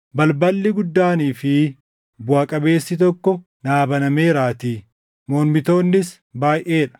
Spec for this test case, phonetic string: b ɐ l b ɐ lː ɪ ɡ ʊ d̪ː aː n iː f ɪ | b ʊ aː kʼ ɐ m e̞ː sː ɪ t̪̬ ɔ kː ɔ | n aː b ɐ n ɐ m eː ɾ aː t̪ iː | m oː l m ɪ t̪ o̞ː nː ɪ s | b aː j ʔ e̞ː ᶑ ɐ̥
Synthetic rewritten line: b ɐ l b ɐ lː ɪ ɡ ʊ d̪ː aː n iː f ɪ | b ʊ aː kʼ ɐ b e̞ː sː ɪ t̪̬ ɔ kː ɔ | n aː b ɐ n ɐ m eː ɾ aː t̪ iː | m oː l m ɪ t̪ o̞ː nː ɪ s | b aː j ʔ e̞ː ᶑ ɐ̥